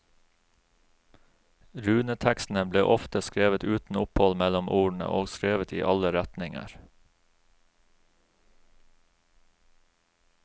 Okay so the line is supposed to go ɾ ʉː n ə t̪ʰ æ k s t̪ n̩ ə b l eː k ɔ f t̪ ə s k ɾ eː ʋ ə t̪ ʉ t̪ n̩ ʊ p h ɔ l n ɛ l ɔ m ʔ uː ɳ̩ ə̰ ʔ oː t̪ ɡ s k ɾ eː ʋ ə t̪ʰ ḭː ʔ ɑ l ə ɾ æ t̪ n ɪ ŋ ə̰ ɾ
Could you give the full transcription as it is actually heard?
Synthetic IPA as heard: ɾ ʉː n ə t̪ʰ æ k s t̪ n̩ ə b l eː ʔ ɔ f t̪ ə s k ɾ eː ʋ ə t̪ ʉː t̪ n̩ ʊ p h ɔ l m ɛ l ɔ m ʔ uː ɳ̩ ə̰ ʔ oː ɡ s k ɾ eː ʋ ə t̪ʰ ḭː ʔ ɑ l ə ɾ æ t̪ n ɪ ŋ ə̰ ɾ